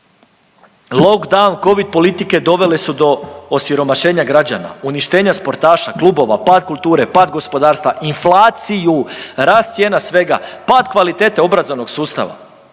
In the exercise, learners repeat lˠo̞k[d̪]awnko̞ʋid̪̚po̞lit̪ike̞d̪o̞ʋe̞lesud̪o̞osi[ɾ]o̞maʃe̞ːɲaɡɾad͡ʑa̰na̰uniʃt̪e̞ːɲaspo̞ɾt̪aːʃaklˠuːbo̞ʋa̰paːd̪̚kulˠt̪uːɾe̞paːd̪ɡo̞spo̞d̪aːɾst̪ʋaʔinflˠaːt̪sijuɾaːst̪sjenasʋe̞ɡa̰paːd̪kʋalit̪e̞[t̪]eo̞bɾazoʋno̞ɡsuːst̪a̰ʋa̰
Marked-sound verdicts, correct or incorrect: correct, correct, correct

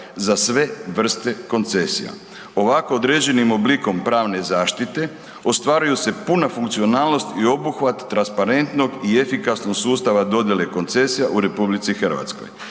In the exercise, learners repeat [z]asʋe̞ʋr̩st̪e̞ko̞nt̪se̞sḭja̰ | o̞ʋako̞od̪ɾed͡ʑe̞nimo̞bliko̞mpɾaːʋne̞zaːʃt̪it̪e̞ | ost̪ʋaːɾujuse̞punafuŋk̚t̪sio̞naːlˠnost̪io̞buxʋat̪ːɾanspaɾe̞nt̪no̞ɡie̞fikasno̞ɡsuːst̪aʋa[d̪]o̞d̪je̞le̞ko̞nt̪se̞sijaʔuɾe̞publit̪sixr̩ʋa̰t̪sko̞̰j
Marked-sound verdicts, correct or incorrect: correct, correct

